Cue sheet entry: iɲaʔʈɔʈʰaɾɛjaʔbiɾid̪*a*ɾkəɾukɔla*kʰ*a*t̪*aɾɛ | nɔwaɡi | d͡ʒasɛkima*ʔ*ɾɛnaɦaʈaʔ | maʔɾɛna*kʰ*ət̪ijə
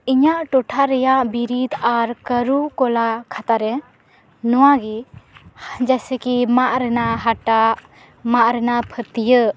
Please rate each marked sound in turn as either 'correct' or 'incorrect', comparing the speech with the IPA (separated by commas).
correct, correct, correct, correct, incorrect